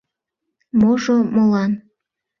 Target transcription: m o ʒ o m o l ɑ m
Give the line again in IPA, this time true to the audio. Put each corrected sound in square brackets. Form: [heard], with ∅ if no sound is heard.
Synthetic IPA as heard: m o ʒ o m o l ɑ [n]

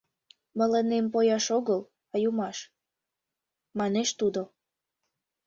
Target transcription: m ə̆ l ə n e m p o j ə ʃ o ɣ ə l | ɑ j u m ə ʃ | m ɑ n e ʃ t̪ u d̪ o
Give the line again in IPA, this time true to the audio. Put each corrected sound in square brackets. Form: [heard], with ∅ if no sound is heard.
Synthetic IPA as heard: m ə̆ l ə n e m p o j [ɑ] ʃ o ɣ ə l | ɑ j u m [ɑ] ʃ | m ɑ n e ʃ t̪ u d̪ o

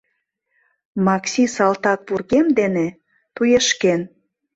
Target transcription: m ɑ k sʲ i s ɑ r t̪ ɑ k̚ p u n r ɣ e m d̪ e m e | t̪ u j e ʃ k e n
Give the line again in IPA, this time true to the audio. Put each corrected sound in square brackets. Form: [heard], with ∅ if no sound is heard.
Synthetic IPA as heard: m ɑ k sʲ i s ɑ [l] t̪ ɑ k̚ p u [∅] r ɣ e m d̪ e [n] e | t̪ u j e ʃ k e n

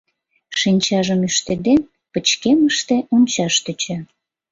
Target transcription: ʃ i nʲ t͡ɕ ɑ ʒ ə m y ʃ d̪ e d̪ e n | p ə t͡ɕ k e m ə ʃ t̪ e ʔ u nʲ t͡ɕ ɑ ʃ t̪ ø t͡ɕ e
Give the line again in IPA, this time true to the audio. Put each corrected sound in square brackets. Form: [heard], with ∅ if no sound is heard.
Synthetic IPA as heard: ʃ i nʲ t͡ɕ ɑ ʒ ə m y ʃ [t̪] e d̪ e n | p ə t͡ɕ k e m ə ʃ t̪ e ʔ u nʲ t͡ɕ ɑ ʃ t̪ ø t͡ɕ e

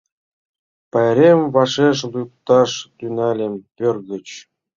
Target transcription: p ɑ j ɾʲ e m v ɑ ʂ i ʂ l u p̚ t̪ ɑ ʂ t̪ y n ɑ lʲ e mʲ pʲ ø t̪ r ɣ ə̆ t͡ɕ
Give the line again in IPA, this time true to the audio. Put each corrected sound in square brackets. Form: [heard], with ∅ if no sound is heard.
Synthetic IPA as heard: p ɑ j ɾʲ e m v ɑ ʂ [e] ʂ l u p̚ t̪ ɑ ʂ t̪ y n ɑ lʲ e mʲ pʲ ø [∅] r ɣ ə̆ t͡ɕ

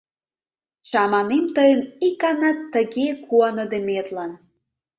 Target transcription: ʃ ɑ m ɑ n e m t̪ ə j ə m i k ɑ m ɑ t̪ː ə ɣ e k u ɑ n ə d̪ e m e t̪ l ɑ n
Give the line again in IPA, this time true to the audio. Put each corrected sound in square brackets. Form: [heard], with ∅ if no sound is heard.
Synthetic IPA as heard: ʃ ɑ m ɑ n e m t̪ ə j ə [n] i k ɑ [n] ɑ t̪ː ə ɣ e k u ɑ n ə d̪ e m e t̪ l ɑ n

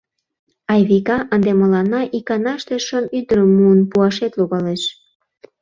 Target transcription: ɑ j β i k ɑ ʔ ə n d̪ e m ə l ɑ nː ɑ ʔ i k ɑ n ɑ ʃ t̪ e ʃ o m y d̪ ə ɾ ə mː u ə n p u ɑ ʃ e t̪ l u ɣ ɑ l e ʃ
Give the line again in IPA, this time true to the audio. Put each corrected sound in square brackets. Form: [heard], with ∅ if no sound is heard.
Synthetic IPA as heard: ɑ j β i k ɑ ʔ ə n d̪ e m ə l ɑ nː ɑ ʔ i k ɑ n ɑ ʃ t̪ e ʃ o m y d̪ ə ɾ ə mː u ə n p u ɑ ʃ e t̪ l u ɣ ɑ l e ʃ

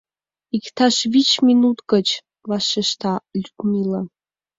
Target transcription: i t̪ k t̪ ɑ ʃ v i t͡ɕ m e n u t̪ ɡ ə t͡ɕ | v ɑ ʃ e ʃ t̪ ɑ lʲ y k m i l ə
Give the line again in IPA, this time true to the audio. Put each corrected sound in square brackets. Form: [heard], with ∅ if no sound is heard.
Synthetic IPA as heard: i [∅] k t̪ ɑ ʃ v i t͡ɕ m [i] n u t̪ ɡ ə t͡ɕ | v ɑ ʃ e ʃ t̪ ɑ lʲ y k m i l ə

